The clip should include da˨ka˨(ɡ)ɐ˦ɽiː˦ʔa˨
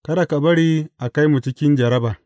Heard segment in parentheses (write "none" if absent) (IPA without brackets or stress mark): b